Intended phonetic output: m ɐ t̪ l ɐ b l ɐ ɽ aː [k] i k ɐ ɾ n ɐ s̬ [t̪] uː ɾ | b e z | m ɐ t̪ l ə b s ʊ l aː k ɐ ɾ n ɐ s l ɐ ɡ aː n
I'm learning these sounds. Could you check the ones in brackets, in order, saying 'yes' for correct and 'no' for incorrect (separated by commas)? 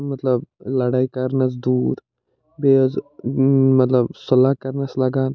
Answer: no, no